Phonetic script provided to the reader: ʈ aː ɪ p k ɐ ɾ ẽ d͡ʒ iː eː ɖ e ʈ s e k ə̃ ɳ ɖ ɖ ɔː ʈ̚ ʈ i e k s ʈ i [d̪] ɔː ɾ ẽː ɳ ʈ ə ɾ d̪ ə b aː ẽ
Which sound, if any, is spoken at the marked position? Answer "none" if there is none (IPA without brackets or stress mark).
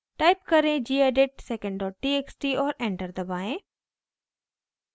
none